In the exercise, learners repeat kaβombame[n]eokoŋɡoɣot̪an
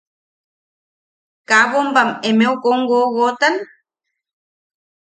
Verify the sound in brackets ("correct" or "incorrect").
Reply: incorrect